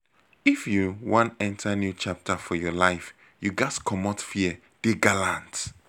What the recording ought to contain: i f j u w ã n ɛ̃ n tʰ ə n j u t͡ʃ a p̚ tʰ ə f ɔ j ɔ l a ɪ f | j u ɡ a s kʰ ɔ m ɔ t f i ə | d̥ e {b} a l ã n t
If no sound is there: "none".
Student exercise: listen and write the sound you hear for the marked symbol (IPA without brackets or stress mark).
ɡ